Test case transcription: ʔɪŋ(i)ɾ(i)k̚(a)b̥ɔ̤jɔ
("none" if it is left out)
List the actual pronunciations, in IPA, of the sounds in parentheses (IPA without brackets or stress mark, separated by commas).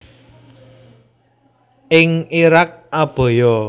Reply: i, a, a